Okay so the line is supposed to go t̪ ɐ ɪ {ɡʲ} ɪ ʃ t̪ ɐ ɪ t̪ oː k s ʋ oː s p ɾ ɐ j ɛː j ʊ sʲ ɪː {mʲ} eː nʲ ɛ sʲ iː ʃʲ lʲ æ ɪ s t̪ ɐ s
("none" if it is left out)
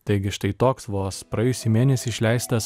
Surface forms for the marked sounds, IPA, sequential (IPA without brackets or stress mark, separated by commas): ɡʲ, mʲ